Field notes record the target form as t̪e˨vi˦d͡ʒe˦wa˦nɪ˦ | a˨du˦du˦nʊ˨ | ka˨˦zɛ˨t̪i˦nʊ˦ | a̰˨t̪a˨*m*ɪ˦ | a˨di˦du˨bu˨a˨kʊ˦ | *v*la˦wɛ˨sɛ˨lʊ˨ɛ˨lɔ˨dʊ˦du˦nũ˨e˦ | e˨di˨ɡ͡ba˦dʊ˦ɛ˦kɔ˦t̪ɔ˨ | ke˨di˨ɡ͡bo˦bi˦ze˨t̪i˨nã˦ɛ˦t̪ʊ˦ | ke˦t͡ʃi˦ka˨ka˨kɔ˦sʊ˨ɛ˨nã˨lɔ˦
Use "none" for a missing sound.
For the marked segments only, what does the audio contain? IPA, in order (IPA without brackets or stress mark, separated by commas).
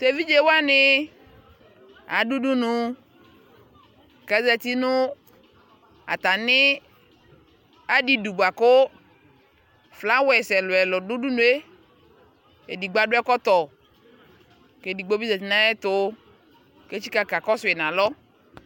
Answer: n, f